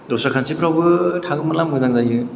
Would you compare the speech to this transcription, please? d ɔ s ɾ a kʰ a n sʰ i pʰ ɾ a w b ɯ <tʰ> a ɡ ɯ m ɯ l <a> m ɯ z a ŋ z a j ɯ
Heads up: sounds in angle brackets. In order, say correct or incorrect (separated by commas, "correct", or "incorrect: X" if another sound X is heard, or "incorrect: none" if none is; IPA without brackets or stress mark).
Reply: correct, correct